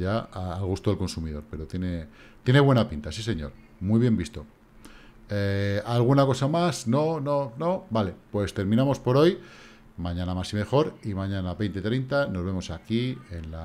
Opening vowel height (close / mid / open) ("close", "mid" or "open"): open